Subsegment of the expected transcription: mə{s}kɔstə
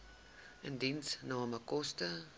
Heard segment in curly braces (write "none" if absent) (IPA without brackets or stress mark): none